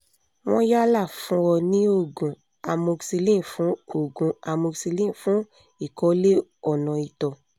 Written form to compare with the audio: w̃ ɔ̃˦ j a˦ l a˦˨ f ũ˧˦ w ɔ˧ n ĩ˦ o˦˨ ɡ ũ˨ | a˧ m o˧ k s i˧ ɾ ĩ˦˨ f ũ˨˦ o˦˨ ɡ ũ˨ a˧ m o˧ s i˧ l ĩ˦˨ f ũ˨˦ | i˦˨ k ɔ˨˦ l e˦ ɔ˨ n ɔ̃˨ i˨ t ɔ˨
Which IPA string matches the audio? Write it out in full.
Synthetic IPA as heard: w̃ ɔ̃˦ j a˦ l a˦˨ f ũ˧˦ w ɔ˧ n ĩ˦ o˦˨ ɡ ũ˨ | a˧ m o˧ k s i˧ l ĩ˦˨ f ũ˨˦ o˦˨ ɡ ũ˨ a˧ m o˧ s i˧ l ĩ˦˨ f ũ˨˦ | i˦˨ k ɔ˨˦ l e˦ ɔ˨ n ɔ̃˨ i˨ t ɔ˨